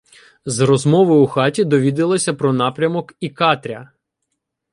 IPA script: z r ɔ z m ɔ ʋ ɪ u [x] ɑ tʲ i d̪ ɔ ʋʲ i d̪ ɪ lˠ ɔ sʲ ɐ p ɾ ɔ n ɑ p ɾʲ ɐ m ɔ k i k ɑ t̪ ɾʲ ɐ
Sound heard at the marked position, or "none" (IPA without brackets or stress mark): x